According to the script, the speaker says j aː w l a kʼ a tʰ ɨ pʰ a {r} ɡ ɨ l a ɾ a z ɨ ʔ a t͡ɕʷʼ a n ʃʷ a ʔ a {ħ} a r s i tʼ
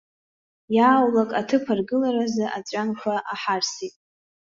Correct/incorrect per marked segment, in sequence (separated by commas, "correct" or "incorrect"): correct, correct